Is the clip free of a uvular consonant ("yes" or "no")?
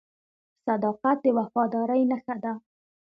no